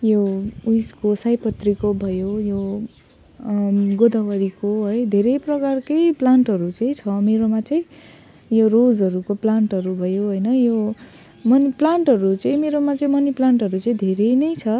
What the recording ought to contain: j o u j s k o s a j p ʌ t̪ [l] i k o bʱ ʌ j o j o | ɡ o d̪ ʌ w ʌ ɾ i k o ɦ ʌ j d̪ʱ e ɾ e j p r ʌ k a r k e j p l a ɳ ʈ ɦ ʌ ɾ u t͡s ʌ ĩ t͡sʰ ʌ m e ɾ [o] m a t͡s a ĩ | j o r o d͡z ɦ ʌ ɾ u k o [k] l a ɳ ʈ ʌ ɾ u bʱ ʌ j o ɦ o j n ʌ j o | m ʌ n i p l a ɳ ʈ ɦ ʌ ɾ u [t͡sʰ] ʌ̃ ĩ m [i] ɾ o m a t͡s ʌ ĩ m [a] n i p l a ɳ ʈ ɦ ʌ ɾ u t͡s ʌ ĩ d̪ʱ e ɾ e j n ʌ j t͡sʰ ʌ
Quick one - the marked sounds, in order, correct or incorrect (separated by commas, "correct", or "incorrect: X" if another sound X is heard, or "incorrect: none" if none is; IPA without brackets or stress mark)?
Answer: incorrect: r, correct, incorrect: p, incorrect: t͡s, incorrect: e, incorrect: ʌ